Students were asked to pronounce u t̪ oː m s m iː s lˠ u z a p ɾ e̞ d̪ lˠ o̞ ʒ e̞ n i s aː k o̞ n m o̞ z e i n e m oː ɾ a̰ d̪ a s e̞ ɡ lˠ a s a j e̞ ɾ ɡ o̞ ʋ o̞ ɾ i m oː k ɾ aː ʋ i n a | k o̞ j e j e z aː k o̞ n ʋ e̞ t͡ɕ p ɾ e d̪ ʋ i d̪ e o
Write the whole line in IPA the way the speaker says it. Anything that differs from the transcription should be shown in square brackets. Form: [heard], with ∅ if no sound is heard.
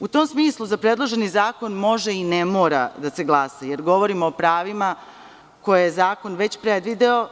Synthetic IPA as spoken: u t̪ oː m s m iː s lˠ u z a p ɾ e̞ d̪ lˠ o̞ ʒ e̞ n i [z] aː k o̞ n m o̞ [ʒ] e i n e m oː ɾ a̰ d̪ a s e̞ ɡ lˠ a s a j e̞ ɾ ɡ o̞ ʋ o̞ ɾ i m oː [p] ɾ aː ʋ i [m] a | k o̞ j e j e z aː k o̞ n ʋ e̞ t͡ɕ p ɾ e d̪ ʋ i d̪ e o